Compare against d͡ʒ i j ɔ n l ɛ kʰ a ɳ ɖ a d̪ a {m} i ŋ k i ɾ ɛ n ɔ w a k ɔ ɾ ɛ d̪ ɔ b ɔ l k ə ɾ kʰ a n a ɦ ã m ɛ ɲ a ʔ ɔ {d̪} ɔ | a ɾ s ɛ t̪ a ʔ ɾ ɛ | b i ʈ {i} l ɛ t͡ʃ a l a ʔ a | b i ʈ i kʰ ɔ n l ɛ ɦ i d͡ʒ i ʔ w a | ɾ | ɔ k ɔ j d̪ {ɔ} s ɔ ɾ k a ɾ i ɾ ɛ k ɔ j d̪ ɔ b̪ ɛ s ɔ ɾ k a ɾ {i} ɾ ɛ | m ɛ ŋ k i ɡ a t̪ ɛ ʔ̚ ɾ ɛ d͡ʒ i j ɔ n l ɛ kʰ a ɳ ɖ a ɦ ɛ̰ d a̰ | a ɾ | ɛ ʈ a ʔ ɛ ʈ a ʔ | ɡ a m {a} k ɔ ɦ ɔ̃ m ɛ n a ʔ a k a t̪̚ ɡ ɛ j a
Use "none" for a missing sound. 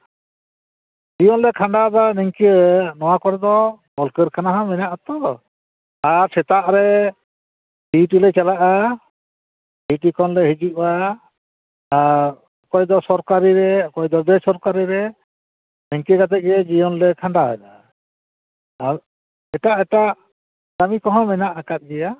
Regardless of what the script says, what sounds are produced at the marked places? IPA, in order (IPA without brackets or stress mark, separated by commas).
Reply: n, t̪, i, ɔ, i, i